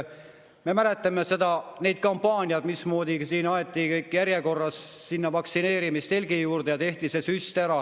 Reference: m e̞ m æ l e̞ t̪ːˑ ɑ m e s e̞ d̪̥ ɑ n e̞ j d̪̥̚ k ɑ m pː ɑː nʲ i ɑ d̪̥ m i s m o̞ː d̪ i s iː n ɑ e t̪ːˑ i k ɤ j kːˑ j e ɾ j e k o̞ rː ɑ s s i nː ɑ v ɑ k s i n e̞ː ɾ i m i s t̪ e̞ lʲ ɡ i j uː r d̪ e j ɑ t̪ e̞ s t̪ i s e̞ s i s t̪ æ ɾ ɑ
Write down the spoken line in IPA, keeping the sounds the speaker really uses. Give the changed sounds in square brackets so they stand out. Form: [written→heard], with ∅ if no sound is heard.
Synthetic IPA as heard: m e̞ m æ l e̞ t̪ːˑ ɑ m e s e̞ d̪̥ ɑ n e̞ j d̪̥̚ k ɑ m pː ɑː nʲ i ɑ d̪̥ m i s m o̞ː d̪ i s iː n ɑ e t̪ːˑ i k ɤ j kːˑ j [e→æ] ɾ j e k o̞ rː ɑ s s i nː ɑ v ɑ k s i n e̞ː ɾ i m i s t̪ e̞ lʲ ɡ i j uː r d̪ e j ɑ t̪ e̞ [s→h] t̪ i s e̞ s [i→y] s t̪ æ ɾ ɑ